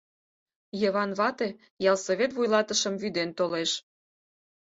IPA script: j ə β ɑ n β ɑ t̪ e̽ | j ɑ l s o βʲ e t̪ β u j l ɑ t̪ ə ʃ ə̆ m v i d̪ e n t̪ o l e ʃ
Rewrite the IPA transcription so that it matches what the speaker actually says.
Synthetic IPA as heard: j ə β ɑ n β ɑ t̪ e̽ | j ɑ l s o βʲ e t̪ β u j l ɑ t̪ ə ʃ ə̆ m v y d̪ e n t̪ o l e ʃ